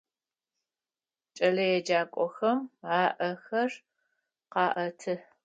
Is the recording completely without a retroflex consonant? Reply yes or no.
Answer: yes